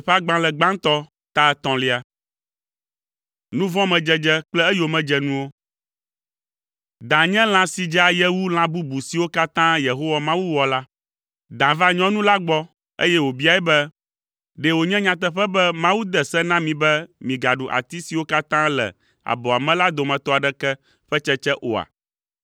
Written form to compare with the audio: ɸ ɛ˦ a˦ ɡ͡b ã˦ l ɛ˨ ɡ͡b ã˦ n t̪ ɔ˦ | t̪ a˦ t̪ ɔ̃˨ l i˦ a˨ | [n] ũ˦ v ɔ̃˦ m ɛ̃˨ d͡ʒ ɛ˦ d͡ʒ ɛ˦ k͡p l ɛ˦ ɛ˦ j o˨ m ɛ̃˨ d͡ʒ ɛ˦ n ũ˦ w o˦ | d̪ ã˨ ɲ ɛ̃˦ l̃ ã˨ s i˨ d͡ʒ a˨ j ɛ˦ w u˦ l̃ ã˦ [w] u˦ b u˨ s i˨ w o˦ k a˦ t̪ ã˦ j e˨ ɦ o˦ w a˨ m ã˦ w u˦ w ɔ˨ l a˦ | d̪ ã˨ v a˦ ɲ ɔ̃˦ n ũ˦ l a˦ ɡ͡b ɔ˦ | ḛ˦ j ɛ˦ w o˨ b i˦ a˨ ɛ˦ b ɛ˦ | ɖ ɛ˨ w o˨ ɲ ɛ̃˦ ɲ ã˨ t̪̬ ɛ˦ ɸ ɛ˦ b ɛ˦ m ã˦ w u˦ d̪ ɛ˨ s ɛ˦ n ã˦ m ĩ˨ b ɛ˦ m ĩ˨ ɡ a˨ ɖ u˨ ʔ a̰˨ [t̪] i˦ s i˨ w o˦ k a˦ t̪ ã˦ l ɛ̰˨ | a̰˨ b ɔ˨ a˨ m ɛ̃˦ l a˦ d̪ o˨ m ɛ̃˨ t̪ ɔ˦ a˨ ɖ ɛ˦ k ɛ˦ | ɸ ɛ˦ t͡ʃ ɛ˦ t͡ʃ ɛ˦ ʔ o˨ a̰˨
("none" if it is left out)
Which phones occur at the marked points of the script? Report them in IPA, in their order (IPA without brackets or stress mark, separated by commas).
n, b, t̪